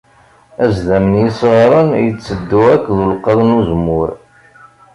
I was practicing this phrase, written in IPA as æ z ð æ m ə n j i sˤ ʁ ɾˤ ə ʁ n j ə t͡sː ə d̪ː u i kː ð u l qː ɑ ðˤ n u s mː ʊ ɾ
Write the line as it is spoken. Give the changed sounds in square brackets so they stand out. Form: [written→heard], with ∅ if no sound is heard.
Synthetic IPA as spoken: æ z ð æ m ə n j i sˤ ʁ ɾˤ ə [ʁ→∅] n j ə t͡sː ə d̪ː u [i→æ] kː ð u l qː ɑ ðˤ n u [s→z] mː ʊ ɾ